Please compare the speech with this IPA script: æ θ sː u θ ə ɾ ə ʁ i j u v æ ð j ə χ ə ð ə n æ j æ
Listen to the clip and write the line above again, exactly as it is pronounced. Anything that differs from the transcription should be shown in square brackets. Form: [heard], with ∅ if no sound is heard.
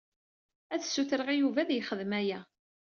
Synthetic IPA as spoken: æ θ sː u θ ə ɾ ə ʁ i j u v æ ð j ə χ ə ð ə [m] æ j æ